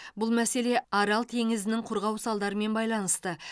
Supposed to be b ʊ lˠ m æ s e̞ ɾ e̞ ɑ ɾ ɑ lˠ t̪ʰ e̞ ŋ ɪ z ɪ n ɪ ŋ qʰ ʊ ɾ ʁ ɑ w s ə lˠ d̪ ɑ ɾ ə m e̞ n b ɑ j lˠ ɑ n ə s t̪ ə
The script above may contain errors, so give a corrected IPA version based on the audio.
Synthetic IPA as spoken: b ʊ lˠ m æ s e̞ l e̞ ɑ ɾ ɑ lˠ t̪ʰ e̞ ŋ ɪ z ɪ n ɪ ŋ qʰ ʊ ɾ ʁ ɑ w s ɑ lˠ d̪ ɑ ɾ ə m e̞ n b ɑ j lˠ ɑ n ə s t̪ ə